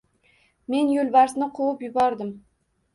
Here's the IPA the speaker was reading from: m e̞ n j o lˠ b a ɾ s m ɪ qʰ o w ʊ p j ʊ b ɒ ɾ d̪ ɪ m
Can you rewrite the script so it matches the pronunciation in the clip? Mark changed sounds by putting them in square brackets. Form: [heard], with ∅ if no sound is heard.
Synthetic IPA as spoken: m e̞ n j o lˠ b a ɾ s [n] ɪ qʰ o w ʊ p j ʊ b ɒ ɾ d̪ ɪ m